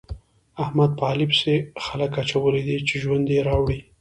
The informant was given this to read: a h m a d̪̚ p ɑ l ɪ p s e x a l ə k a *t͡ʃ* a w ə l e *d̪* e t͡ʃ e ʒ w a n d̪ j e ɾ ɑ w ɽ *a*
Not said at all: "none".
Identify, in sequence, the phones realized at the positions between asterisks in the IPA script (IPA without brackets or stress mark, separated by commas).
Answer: t͡ʃ, d̪, i